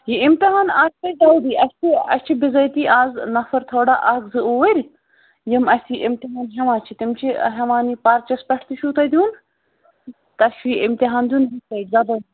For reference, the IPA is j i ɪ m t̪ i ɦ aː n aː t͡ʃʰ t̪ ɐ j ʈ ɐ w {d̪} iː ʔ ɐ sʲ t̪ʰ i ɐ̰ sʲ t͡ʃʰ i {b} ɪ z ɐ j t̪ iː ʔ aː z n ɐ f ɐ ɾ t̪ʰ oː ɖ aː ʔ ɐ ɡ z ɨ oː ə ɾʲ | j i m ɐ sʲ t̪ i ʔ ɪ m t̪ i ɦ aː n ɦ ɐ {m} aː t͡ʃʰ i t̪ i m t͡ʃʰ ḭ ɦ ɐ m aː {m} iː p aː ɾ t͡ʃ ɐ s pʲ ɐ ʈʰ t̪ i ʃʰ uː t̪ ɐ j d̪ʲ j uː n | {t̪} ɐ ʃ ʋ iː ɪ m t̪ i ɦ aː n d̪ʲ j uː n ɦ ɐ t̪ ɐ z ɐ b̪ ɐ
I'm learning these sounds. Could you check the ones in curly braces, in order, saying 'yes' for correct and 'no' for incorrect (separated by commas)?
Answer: yes, yes, yes, no, yes